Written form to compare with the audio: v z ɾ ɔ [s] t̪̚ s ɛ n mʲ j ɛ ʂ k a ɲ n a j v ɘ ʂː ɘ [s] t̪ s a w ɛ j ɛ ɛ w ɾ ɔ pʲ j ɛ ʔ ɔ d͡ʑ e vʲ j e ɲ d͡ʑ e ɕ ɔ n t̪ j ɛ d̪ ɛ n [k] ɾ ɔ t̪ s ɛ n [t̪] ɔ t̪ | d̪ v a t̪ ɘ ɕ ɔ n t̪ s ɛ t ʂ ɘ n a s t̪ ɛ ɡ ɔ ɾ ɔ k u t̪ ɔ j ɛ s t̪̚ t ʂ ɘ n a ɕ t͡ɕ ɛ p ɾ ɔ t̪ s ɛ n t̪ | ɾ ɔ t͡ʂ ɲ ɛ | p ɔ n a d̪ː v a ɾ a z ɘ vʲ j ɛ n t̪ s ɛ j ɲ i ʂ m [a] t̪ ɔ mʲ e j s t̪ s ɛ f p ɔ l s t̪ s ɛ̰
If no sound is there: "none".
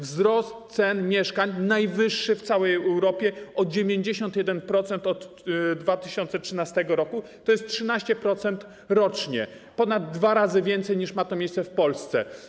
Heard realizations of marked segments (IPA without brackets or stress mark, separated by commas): s, f, p, t̪, a